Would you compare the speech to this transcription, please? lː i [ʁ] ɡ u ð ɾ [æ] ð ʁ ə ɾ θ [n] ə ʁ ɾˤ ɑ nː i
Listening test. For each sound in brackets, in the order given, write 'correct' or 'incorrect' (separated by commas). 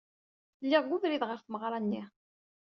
correct, incorrect, incorrect